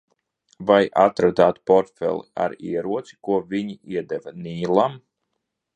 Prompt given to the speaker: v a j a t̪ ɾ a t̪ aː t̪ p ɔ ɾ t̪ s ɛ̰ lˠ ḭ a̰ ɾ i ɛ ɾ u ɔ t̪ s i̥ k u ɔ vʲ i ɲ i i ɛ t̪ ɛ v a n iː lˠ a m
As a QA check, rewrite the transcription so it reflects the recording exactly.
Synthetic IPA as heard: v a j a t̪ ɾ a d̪ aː t̪ p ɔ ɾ t̪ f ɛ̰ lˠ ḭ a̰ ɾ i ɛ ɾ u ɔ t̪ s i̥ k u ɔ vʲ i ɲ i i ɛ d̪ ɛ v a n iː lˠ a m